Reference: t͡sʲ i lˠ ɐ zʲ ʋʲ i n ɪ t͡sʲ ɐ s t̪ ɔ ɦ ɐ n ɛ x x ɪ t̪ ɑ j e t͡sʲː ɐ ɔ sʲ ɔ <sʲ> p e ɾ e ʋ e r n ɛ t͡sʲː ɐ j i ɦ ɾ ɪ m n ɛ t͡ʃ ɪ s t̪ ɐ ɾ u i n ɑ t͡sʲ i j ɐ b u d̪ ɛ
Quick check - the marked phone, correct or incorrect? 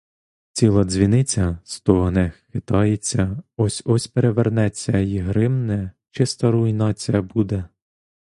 correct